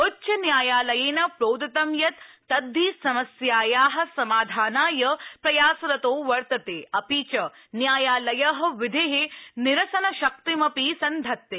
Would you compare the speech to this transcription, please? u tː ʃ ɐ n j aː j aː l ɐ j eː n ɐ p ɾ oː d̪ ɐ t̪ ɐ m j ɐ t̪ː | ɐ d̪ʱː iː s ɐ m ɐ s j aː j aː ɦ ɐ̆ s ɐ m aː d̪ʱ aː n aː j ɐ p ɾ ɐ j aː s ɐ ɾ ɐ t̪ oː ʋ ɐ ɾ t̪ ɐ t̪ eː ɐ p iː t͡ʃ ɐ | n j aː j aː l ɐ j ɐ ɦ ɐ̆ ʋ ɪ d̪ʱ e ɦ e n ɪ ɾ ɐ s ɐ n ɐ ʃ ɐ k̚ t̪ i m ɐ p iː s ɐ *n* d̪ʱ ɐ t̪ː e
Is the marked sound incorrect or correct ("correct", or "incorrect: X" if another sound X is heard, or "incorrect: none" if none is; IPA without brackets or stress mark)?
correct